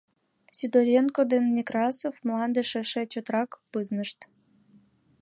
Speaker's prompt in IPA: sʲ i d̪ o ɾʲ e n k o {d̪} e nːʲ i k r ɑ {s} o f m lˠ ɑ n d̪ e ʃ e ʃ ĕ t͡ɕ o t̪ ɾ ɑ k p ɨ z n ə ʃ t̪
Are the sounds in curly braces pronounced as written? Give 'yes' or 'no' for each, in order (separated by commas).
yes, yes